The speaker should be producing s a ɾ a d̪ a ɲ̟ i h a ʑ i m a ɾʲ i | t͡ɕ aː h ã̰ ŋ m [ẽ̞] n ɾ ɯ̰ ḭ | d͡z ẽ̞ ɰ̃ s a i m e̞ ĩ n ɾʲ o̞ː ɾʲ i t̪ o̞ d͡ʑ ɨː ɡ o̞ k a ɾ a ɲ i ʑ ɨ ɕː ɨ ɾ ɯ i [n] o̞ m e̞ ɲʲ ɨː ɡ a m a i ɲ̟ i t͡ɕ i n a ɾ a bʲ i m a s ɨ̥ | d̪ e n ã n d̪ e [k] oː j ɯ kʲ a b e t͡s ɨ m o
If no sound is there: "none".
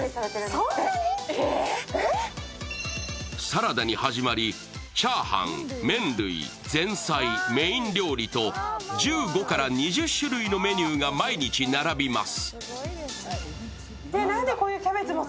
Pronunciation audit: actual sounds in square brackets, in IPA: ẽ̞, n, k

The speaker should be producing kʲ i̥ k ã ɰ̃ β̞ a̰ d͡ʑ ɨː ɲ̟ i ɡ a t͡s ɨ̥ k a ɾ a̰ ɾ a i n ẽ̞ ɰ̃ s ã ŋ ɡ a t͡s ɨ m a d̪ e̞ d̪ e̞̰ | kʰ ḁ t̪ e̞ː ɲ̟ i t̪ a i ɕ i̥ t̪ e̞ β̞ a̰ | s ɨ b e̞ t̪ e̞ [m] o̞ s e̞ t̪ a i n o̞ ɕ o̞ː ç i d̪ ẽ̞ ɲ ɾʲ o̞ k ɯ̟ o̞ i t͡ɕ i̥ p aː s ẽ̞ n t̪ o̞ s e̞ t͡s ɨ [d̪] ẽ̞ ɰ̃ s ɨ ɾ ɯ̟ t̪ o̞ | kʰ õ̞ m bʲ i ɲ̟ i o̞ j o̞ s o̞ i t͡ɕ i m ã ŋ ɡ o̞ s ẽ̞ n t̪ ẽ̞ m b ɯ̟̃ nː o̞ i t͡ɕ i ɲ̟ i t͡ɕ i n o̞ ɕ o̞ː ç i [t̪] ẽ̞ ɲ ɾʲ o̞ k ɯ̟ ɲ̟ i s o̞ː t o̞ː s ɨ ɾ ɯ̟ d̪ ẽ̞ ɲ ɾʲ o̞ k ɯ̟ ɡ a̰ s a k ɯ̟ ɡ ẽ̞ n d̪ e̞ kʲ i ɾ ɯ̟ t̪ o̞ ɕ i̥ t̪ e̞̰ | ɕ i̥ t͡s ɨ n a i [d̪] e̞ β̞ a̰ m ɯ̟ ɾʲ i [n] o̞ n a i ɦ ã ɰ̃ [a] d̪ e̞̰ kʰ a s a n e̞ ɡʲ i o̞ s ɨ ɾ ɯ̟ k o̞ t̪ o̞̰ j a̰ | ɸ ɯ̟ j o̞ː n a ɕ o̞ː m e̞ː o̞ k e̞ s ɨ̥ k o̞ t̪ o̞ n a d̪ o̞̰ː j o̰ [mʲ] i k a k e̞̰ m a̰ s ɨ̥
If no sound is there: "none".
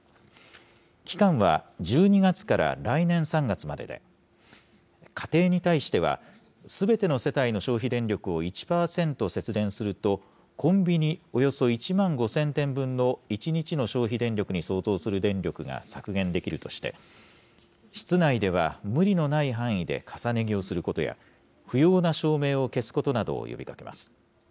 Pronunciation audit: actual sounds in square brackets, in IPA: n, d̪, d̪, d̪, n, i, bʲ

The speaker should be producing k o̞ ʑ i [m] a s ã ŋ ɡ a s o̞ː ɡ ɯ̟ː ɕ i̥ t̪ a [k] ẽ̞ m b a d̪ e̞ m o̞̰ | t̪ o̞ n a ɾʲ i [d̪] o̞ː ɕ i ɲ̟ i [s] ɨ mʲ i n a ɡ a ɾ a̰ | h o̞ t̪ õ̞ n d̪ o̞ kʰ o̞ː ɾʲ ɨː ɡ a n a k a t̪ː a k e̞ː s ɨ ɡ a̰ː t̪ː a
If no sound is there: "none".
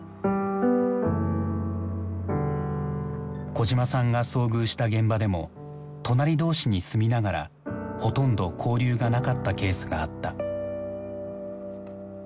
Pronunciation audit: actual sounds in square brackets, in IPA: m, ɡ, d̪, s

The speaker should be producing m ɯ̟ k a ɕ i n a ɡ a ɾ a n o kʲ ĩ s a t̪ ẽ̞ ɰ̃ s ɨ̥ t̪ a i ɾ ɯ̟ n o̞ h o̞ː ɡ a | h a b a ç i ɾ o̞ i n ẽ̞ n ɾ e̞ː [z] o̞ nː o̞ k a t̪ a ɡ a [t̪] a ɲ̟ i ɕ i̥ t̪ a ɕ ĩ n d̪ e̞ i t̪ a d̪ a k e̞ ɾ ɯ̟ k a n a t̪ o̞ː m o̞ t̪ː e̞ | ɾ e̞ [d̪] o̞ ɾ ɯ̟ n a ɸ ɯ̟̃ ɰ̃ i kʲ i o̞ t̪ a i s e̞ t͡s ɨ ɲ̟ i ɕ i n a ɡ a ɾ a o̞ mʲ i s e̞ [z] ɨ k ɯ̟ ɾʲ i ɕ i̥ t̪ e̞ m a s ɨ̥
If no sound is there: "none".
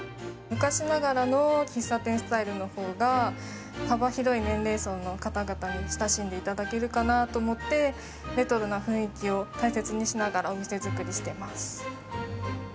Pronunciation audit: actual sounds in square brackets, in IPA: s, t̪, t̪, z

